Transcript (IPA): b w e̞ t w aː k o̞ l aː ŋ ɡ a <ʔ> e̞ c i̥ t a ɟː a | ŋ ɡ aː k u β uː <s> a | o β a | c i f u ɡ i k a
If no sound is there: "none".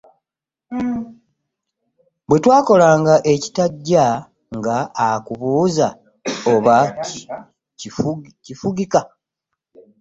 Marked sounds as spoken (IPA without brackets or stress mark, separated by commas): ʔ, z